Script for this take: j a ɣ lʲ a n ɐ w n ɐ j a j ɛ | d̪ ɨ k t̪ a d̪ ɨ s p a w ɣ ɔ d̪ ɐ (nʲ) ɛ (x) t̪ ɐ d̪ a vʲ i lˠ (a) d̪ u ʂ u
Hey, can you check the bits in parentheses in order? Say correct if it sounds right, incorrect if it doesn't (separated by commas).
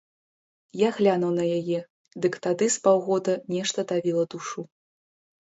correct, incorrect, incorrect